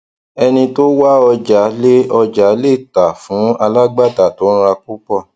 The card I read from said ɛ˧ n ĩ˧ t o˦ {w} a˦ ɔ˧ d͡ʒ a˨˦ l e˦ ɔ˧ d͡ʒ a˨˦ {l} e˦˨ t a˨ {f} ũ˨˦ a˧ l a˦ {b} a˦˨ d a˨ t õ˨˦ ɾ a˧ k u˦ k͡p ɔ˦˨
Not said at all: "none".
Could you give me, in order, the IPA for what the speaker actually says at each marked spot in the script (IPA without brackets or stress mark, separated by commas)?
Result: w, l, f, ɡ͡b